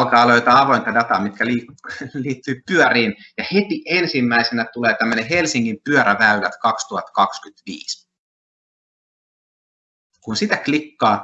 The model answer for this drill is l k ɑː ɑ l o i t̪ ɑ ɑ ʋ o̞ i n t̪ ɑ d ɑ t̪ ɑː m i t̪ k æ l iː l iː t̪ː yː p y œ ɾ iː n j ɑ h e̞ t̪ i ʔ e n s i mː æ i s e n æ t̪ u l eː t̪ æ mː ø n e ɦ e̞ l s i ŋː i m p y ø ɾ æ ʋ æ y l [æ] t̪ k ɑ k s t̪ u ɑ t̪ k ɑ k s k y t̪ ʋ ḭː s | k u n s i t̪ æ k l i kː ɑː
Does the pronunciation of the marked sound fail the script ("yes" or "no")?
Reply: no